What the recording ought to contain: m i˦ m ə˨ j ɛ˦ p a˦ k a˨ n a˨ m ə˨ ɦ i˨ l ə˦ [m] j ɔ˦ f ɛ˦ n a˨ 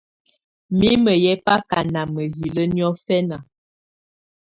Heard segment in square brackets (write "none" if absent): n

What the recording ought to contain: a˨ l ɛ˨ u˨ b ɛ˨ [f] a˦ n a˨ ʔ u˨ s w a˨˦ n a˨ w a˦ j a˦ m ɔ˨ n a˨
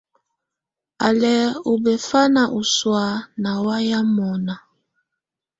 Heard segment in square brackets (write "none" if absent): f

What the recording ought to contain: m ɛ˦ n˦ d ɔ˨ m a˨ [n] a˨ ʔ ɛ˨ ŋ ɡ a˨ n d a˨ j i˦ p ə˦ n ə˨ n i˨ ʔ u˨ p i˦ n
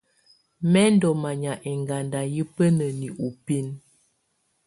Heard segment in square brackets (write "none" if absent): ɲ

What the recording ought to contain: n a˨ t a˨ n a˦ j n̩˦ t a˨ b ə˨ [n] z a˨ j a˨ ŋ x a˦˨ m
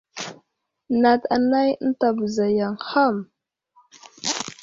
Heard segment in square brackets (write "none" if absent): none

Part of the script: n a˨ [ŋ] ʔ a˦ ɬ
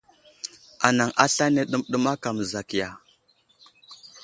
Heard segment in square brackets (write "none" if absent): ŋ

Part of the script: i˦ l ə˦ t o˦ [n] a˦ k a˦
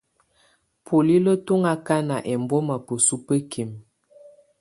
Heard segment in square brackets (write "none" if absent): ŋ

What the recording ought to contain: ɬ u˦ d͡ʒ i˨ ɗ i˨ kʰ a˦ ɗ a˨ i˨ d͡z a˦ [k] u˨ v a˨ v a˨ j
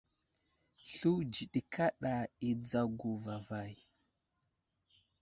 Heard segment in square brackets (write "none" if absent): ɡ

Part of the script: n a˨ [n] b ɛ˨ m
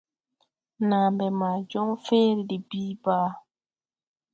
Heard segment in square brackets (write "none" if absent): m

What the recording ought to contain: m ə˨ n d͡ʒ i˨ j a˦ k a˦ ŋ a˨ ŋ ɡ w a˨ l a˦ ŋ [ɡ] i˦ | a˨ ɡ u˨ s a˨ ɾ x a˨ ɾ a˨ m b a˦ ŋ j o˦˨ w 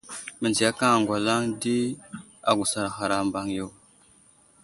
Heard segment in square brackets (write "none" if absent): d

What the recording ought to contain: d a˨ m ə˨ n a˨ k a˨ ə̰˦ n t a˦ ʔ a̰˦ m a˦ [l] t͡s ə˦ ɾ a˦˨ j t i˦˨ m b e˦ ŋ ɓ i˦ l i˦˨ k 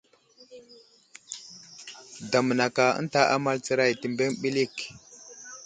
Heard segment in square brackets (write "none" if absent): l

